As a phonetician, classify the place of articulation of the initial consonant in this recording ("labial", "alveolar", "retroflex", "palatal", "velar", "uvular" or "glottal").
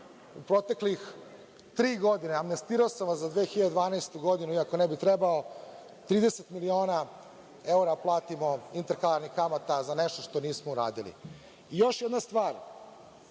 labial